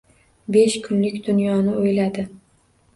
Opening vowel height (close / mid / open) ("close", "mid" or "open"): mid